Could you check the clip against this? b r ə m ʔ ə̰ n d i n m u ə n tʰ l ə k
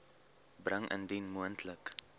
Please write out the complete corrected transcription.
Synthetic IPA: b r ə ŋ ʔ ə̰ n d i n m u ə n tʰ l ə k